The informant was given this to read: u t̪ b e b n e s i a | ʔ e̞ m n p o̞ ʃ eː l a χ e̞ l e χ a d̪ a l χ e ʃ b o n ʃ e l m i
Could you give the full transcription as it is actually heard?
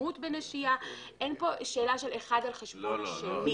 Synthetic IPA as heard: u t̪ b e n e ʃ i a | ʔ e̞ n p o̞ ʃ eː l a ʃ e̞ l e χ a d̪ a l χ e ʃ b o n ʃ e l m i